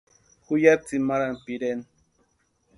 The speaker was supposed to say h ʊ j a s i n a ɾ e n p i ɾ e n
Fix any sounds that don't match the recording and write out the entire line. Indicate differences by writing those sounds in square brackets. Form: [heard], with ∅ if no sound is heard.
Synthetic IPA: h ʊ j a [t͡s] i [m] a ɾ [a] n p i ɾ e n